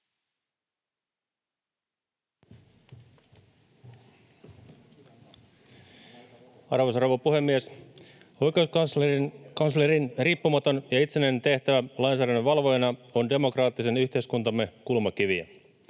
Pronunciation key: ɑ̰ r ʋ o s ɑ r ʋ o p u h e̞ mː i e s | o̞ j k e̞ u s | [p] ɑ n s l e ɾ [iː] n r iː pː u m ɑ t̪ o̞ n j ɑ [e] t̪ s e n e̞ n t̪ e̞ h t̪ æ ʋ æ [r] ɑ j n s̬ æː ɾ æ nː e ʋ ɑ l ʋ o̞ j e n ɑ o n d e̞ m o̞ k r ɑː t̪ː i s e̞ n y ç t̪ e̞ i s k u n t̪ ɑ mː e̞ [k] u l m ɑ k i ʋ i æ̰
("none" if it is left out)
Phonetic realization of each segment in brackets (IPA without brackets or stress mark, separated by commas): k, i, i, l, k